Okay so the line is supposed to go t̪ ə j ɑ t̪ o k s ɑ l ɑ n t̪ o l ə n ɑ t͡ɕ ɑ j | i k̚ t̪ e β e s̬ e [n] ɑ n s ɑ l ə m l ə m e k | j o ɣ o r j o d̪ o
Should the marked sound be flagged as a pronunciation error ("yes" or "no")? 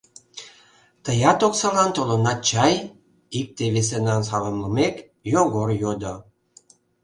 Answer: no